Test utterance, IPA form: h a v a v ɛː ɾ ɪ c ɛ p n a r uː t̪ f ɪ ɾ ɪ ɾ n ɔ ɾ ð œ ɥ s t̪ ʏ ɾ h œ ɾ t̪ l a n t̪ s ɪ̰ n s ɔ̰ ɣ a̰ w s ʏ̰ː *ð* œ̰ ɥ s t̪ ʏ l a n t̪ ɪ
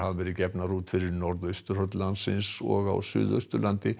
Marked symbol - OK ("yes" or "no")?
yes